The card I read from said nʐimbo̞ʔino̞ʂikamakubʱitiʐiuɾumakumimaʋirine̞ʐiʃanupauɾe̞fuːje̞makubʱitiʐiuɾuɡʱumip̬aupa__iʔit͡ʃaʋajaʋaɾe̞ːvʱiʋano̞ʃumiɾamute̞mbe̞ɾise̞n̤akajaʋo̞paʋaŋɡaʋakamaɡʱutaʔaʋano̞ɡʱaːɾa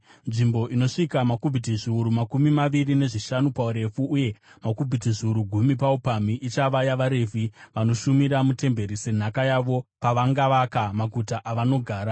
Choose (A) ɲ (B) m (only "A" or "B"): B